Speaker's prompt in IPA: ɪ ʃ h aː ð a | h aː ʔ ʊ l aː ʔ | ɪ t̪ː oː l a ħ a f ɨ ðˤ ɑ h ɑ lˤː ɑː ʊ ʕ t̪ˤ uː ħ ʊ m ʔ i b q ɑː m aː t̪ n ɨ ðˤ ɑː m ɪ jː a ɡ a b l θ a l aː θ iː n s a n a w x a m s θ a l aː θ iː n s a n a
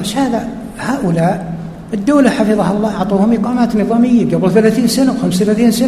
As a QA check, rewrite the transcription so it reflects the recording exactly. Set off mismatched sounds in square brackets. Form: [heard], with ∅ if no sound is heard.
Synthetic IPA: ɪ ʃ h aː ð a | h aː ʔ ʊ l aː ʔ | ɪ [d̪ː] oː l a ħ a f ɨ ðˤ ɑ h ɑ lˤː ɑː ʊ ʕ t̪ˤ uː [h] ʊ m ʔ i [∅] q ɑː m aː t̪ n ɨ ðˤ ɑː m ɪ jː a ɡ a b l θ a l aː θ iː n s a n a w x a m s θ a l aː θ iː n s a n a